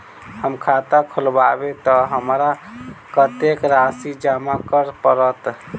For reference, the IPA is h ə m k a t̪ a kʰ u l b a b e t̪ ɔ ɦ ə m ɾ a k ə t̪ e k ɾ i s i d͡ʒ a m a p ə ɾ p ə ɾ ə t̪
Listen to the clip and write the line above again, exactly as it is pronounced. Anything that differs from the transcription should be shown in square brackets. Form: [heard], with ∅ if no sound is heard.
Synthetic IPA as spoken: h ə m [kʰ] a t̪ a kʰ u l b a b e t̪ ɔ ɦ ə m ɾ a k ə t̪ e k ɾ [a] s i d͡ʒ a m a [k] ə ɾ p ə ɾ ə t̪